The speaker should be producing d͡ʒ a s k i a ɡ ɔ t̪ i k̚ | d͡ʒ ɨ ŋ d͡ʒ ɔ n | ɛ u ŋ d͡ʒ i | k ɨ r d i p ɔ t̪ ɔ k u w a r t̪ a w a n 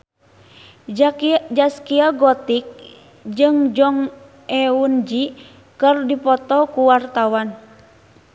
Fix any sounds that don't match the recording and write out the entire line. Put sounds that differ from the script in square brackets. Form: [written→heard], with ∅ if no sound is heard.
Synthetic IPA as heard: d͡ʒ a s k i a ɡ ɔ t̪ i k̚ | d͡ʒ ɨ ŋ d͡ʒ ɔ [n→ŋ] | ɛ u [ŋ→n] d͡ʒ i | k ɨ r d i p ɔ t̪ ɔ k u w a r t̪ a w a n